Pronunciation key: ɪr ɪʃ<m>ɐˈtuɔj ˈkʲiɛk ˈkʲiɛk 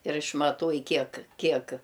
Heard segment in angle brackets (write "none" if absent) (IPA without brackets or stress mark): m